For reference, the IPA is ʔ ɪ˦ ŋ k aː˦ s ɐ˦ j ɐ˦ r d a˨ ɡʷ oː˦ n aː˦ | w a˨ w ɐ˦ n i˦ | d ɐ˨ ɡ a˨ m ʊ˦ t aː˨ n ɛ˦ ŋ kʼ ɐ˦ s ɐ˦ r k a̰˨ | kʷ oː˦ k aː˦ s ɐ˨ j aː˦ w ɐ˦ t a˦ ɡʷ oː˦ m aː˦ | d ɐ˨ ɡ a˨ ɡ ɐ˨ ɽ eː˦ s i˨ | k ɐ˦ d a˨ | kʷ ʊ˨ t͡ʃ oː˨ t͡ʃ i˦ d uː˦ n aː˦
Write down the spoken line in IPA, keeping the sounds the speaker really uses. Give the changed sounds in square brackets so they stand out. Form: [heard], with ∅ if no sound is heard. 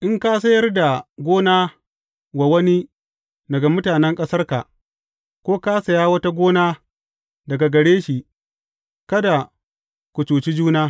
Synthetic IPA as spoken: ʔ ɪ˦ ŋ k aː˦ s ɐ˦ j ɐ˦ r d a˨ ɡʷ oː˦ n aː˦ | w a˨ w ɐ˦ n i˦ | d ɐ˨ ɡ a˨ m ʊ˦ t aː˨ n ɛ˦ ŋ kʼ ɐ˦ s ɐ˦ r k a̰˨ | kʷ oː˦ k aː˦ s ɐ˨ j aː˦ w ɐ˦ t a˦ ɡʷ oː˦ [n] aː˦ | d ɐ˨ ɡ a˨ ɡ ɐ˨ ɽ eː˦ [ʃ] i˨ | k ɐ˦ d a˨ | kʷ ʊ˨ t͡ʃ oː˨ t͡ʃ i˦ [d͡ʒ] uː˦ n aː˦

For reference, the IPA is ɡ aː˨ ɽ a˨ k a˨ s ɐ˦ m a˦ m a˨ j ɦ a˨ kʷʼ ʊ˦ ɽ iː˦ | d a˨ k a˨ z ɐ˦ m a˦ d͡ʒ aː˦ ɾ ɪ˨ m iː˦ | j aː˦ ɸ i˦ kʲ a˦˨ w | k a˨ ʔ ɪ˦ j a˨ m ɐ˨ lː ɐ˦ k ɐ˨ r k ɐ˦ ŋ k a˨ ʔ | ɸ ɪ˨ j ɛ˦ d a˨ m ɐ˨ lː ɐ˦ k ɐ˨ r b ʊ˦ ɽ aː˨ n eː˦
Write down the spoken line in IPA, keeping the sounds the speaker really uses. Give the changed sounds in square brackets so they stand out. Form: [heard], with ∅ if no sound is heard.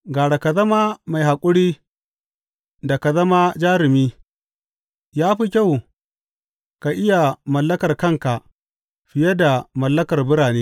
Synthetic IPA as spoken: ɡ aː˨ ɽ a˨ k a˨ [z] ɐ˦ m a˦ m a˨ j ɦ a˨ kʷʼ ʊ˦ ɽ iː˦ | d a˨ k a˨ z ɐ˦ m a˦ d͡ʒ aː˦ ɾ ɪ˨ m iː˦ | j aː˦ ɸ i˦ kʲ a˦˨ w | k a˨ ʔ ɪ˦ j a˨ m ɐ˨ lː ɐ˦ k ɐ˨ r k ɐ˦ ŋ k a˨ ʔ | ɸ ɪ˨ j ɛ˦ d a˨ m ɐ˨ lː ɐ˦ k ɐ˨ r b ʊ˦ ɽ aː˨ n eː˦

